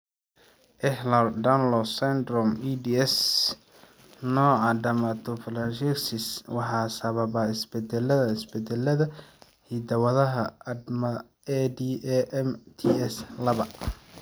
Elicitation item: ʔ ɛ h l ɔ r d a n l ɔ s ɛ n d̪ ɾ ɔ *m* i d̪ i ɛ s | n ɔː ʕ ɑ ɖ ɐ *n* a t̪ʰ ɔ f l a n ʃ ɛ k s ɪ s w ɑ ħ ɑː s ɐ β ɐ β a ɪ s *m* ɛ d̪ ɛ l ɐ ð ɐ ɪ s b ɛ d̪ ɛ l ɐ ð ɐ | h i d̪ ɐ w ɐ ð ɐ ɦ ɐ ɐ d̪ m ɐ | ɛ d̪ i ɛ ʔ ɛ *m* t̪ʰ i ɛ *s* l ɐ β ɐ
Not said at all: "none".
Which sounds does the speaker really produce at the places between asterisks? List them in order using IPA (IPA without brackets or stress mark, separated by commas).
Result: m, m, b, m, s